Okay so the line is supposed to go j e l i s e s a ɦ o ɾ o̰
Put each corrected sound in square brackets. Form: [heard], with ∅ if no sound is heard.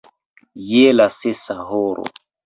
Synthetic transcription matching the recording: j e l [a] s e s a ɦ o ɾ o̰